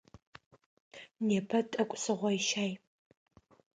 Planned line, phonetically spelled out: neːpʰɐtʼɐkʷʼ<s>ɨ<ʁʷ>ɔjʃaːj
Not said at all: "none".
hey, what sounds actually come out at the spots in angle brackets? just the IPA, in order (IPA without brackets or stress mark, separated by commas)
s, ʁʷ